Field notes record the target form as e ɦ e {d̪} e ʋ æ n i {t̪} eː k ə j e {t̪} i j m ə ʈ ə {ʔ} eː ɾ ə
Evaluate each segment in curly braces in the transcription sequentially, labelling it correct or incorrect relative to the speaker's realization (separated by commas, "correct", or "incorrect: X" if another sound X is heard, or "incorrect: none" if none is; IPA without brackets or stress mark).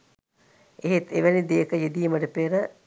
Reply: incorrect: t̪, incorrect: d̪, incorrect: d̪, incorrect: p